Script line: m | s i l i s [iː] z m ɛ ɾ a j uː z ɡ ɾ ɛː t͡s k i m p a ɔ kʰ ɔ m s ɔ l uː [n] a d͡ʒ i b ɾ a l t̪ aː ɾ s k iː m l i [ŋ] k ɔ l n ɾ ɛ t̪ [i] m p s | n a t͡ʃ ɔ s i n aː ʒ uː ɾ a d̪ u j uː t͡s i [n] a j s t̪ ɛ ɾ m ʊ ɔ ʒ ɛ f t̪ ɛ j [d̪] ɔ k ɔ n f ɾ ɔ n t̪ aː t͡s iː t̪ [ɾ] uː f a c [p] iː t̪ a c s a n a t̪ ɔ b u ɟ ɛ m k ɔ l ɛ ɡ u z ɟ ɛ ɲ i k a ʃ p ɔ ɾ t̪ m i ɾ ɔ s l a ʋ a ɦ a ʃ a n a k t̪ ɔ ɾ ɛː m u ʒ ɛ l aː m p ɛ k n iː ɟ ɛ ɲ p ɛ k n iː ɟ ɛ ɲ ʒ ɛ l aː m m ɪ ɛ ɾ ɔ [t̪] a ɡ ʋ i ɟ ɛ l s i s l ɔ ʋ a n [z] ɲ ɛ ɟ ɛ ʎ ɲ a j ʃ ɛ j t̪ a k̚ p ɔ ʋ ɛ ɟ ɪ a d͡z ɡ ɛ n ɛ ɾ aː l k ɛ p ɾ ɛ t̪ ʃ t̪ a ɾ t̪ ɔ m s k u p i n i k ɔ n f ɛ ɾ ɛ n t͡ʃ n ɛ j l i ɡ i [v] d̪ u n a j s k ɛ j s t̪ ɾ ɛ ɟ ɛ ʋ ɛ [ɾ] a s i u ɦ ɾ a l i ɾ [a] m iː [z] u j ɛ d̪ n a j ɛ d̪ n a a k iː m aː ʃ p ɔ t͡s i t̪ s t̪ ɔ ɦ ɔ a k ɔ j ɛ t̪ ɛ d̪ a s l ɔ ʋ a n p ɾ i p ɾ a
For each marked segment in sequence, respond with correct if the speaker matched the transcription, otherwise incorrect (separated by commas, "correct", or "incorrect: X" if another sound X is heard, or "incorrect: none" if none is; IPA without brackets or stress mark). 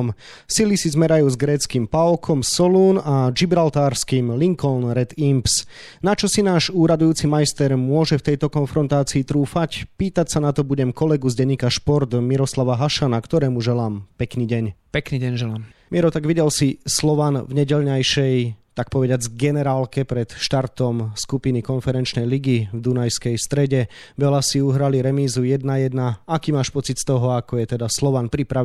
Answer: incorrect: i, correct, correct, correct, incorrect: m, incorrect: t̪, correct, correct, correct, incorrect: v, correct, incorrect: l, incorrect: ɛ, correct